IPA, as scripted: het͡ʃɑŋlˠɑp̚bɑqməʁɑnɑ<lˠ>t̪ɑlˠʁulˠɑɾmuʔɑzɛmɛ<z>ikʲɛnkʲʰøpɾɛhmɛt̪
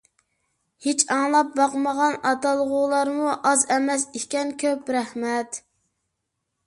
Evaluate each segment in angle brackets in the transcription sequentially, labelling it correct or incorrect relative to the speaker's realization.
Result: incorrect, incorrect

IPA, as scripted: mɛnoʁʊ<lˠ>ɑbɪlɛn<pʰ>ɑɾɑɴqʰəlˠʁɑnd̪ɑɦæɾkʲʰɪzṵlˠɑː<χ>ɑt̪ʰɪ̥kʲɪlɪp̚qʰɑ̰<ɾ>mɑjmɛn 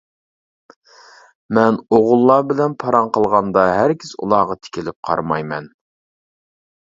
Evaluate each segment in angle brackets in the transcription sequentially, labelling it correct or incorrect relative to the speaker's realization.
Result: incorrect, correct, incorrect, correct

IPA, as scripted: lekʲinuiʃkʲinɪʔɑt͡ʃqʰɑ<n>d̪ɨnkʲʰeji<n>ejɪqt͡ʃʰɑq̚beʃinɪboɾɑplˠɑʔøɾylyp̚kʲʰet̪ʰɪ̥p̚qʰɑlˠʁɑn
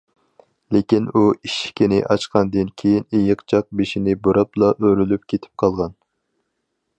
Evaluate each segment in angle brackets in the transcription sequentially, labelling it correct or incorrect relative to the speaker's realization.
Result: correct, correct

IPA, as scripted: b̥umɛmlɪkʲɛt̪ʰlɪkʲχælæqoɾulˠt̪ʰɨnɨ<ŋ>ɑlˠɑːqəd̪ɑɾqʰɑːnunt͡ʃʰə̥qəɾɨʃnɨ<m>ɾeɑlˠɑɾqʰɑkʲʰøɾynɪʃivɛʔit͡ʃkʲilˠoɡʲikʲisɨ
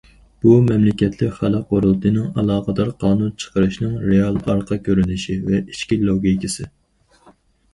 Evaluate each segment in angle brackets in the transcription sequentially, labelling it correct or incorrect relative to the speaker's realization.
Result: correct, incorrect

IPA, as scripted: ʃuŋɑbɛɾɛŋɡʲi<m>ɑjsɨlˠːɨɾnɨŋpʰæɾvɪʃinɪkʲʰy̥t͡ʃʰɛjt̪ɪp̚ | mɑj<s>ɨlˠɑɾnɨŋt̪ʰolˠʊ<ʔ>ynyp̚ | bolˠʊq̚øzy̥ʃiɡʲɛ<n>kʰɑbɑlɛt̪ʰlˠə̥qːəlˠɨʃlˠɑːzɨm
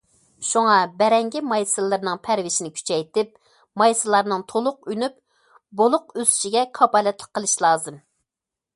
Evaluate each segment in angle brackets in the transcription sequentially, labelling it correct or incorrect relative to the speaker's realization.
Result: correct, correct, incorrect, incorrect

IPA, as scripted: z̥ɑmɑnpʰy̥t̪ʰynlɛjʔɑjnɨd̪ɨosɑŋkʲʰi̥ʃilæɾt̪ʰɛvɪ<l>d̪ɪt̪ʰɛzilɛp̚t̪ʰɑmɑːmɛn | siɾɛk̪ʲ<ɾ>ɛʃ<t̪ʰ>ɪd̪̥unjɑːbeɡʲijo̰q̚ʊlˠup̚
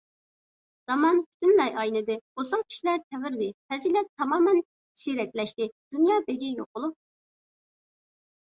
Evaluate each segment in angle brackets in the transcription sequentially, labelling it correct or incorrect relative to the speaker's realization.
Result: incorrect, incorrect, incorrect

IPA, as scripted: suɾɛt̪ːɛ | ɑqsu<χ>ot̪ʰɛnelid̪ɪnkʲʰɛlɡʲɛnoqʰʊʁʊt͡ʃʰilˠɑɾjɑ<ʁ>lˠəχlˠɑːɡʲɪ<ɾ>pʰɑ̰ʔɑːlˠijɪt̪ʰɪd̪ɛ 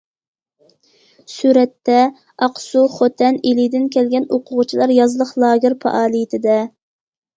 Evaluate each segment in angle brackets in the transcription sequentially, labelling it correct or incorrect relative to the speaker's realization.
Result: correct, incorrect, correct

